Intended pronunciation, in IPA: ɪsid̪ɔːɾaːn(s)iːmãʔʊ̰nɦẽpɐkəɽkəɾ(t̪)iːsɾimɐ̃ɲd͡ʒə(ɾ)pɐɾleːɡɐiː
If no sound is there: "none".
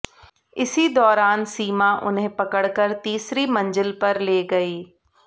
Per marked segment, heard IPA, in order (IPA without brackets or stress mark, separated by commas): s, t̪, l